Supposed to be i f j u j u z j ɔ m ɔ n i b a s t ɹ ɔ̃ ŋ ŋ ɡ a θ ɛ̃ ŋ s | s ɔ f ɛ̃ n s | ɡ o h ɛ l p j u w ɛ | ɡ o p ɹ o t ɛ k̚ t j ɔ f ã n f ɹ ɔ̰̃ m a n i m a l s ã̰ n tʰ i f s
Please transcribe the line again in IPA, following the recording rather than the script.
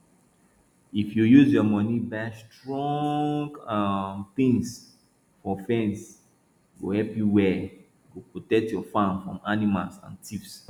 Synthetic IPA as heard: i f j u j u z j ɔ m ɔ n i b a s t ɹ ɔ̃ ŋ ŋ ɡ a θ ĩ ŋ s | f ɔ f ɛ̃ n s | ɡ o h ɛ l p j u w ɛ | ɡ o p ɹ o t ɛ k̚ t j ɔ f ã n f ɹ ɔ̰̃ m a n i m a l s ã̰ n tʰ i f s